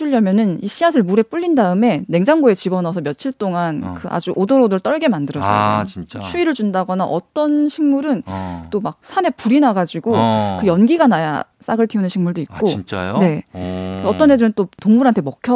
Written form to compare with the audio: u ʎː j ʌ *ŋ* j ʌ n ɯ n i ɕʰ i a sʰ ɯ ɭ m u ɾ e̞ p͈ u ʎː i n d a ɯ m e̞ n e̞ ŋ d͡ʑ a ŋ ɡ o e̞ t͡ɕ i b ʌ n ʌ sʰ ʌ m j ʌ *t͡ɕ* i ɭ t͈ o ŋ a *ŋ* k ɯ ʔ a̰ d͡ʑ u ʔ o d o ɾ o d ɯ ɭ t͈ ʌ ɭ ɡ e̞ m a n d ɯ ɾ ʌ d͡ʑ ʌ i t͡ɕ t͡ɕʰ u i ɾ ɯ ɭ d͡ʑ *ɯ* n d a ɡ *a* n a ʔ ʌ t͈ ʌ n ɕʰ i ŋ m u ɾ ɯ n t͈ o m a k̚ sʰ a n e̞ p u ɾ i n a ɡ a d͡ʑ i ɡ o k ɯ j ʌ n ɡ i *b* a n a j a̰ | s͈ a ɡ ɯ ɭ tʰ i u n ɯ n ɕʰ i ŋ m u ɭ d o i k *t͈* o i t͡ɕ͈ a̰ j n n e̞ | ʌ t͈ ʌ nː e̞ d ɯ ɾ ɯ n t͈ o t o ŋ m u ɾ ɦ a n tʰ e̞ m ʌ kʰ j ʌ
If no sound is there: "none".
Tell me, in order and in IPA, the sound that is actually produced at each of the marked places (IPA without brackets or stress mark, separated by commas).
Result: m, t͡ɕʰ, n, u, ʌ, ɡ, k͈